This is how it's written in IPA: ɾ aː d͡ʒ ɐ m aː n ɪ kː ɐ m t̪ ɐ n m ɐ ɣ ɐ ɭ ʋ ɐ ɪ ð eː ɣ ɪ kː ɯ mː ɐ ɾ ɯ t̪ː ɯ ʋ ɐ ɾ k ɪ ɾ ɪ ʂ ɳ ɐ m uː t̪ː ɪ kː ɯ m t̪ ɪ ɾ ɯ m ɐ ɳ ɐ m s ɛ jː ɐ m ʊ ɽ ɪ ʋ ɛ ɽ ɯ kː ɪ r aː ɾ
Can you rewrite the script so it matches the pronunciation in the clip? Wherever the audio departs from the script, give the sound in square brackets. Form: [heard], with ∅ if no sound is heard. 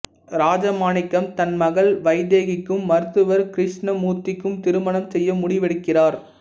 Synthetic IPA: ɾ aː d͡ʒ ɐ m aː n ɪ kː ɐ m t̪ ɐ n m ɐ ɣ ɐ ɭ ʋ ɐ ɪ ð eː ɣ ɪ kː ɯ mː ɐ ɾ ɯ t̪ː ɯ ʋ ɐ ɾ k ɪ ɾ ɪ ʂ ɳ ɐ m uː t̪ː ɪ kː ɯ m t̪ ɪ ɾ ɯ m ɐ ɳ ɐ m s ɛ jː ɐ m ʊ ɽ ɪ ʋ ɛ ɽ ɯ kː ɪ r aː ɾ